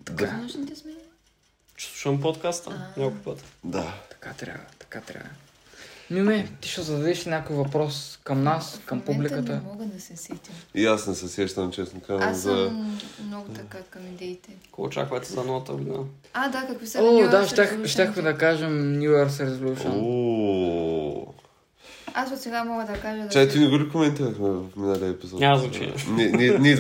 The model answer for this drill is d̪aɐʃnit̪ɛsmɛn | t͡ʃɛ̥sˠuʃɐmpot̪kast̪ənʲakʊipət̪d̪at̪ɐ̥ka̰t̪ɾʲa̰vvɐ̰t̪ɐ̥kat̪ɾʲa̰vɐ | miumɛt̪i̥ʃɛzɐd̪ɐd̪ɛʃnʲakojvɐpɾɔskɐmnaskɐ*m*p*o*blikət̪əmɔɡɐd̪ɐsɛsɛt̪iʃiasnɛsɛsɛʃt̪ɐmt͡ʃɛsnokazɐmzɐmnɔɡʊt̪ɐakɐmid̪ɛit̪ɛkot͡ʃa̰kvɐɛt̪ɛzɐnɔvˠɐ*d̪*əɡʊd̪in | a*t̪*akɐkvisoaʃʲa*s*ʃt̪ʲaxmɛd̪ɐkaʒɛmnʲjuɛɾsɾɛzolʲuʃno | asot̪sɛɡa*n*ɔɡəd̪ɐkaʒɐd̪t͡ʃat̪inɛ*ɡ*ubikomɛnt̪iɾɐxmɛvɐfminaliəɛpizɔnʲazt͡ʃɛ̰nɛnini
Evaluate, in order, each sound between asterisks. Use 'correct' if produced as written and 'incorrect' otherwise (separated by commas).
correct, incorrect, incorrect, incorrect, incorrect, incorrect, correct